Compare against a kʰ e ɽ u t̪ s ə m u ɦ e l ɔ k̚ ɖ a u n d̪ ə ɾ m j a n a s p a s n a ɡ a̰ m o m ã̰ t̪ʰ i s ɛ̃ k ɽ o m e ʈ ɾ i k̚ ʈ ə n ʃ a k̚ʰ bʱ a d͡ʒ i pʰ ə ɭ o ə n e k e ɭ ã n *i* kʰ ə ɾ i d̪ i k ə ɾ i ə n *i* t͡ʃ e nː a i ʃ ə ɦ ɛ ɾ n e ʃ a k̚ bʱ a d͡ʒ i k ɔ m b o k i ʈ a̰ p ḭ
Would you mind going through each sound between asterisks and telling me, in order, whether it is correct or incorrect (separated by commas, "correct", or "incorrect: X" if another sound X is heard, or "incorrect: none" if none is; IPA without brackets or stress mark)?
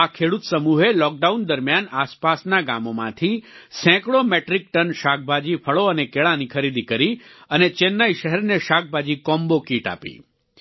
correct, incorrect: e